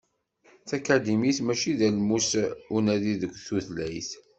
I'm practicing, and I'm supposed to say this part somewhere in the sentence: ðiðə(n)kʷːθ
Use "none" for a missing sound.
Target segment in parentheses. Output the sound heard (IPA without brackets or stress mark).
none